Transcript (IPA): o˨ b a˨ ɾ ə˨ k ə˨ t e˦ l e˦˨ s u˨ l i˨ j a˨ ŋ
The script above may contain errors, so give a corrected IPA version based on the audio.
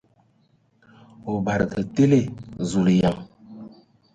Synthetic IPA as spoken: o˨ b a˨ ɾ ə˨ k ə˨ t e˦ l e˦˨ z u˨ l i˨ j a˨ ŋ